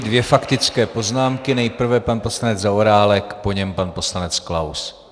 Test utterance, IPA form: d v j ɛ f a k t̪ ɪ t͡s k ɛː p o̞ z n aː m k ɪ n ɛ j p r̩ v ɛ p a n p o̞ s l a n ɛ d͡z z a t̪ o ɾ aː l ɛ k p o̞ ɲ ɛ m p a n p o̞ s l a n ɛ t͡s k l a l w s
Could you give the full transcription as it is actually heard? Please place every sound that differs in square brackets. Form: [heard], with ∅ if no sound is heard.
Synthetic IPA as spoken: d v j ɛ f a k t̪ ɪ t͡s k ɛː p o̞ z n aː m k ɪ n ɛ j p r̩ v ɛ p a n p o̞ s l a n ɛ d͡z z a [∅] o ɾ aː l ɛ k p o̞ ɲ ɛ m p a n p o̞ s l a n ɛ t͡s k l a [∅] w s